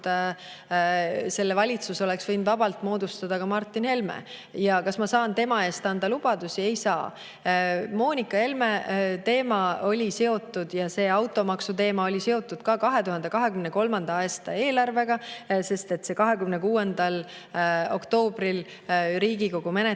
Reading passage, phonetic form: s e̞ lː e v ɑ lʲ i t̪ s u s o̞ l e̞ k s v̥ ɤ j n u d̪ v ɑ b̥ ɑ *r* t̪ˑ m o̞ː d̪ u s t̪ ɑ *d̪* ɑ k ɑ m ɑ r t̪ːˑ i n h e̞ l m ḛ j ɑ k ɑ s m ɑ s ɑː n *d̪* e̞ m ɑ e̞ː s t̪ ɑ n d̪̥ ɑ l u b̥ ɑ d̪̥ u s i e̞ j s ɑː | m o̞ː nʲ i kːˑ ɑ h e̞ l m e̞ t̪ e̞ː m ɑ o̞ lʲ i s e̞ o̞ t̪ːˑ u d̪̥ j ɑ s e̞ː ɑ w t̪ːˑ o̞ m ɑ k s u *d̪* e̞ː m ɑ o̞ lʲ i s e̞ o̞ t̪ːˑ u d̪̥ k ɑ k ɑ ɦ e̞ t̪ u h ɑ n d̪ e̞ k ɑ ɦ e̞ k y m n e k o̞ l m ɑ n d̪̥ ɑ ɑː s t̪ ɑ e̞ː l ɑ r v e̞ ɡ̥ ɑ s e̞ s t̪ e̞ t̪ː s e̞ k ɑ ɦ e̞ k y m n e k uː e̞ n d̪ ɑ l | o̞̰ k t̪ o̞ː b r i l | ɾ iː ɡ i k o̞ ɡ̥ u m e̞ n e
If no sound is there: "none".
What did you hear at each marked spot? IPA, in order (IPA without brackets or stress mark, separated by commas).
l, d̪, t̪, t̪